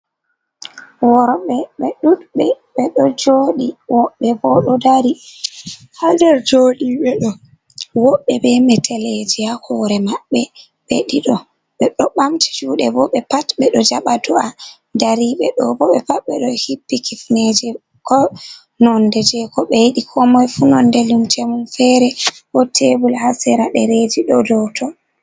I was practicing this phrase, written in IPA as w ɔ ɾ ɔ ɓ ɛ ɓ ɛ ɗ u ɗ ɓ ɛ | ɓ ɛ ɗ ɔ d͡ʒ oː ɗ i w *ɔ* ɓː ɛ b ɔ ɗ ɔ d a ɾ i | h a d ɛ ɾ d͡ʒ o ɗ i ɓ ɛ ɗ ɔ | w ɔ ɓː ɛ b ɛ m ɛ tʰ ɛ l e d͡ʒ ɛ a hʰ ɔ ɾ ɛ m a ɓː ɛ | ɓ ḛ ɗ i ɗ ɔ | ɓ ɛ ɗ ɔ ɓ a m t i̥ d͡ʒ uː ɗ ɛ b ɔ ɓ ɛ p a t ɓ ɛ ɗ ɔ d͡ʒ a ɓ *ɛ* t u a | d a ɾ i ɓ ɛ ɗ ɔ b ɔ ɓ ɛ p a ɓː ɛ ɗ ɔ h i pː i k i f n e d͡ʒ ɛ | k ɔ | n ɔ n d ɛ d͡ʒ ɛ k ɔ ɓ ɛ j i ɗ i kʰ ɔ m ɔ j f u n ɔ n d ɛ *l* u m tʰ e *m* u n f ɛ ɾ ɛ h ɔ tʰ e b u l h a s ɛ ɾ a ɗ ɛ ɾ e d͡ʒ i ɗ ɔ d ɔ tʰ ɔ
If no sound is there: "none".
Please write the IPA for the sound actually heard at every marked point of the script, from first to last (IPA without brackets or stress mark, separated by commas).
ɔ, a, l, m